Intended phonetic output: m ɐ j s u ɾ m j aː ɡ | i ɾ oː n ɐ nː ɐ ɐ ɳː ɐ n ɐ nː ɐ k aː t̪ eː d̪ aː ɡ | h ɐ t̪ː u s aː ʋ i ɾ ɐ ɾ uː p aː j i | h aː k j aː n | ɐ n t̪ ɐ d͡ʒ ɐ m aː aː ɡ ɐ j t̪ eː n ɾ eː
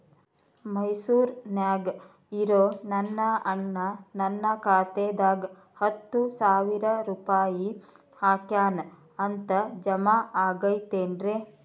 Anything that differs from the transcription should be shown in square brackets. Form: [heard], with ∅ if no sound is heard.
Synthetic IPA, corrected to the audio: m ɐ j s [uː] ɾ [n] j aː ɡ | i ɾ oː n ɐ nː ɐ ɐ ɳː ɐ n ɐ nː ɐ k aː t̪ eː d̪ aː ɡ | h ɐ t̪ː u s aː ʋ i ɾ ɐ ɾ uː p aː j i | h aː k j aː n | ɐ n t̪ ɐ d͡ʒ ɐ m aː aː ɡ ɐ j t̪ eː n ɾ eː